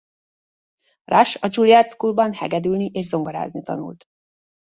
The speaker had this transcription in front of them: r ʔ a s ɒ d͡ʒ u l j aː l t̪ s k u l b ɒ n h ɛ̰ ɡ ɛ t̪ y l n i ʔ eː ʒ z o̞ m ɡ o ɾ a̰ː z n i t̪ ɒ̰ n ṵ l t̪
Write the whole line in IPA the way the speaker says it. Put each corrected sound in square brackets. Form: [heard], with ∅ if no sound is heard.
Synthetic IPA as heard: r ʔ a [ʃ] ɒ d͡ʒ u l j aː [r] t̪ s k u l b ɒ n h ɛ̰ ɡ ɛ [d̪] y l n i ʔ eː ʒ z o̞ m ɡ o ɾ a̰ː z n i t̪ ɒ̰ n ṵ l t̪